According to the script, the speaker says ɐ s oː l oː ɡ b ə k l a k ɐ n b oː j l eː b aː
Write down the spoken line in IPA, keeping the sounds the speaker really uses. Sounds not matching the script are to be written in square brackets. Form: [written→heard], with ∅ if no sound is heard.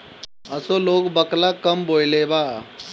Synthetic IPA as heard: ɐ s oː l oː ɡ b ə k l a k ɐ [n→m] b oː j l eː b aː